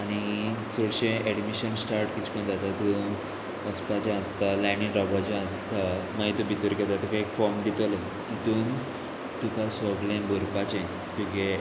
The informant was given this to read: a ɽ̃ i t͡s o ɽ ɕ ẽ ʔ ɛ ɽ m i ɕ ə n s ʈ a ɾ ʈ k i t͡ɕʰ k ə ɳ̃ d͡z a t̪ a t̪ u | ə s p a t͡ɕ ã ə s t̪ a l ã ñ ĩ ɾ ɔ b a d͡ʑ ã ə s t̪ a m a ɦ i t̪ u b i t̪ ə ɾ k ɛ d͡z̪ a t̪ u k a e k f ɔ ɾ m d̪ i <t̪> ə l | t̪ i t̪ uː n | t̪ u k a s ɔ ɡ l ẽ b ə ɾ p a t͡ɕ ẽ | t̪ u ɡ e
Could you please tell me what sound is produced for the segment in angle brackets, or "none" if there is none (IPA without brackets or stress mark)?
t̪